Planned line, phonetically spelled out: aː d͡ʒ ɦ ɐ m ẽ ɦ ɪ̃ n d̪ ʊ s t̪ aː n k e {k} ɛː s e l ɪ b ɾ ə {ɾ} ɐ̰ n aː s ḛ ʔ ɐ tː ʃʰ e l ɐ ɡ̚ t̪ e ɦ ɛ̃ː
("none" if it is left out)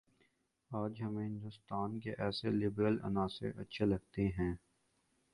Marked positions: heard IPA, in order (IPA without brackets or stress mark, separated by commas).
ʔ, l